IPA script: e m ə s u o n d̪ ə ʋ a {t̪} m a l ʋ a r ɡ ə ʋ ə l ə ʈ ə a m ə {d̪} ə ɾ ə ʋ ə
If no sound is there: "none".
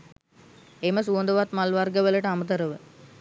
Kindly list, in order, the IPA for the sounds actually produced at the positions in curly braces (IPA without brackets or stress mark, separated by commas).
t̪, t̪